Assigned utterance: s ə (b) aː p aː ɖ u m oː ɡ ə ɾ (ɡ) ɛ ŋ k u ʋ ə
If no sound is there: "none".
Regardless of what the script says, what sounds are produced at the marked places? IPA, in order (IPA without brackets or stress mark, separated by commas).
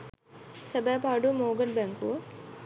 b, b